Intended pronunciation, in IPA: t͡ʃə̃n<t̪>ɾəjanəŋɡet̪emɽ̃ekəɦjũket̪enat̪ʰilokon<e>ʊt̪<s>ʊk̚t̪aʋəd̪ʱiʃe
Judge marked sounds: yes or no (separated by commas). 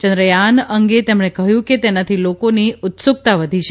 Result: no, no, yes